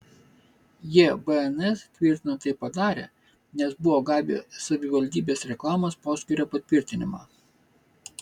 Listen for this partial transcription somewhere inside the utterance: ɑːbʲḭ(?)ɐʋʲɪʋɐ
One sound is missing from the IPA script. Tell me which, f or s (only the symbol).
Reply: s